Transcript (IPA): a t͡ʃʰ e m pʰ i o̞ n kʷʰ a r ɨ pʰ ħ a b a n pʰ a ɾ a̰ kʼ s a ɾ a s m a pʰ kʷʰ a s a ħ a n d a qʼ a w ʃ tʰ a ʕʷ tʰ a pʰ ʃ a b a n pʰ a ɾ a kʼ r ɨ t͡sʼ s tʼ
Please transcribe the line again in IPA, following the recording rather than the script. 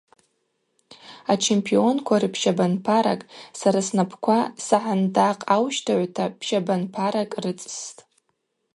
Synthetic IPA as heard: a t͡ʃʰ e m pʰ i o̞ n kʷʰ a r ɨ pʰ ʃ a b a n pʰ a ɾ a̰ kʼ s a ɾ a s n a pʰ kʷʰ a s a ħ a n d a qʼ a w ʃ tʰ a ʕʷ tʰ a pʰ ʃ a b a n pʰ a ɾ a kʼ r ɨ t͡sʼ s tʼ